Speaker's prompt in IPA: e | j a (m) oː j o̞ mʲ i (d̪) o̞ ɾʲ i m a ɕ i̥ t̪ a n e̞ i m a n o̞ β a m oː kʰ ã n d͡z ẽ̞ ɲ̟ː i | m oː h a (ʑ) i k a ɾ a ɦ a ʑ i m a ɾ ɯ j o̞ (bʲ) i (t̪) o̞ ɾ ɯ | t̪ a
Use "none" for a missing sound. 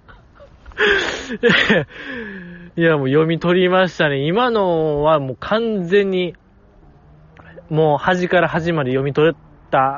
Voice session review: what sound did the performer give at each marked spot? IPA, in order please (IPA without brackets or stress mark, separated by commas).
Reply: m, t̪, ʑ, mʲ, t̪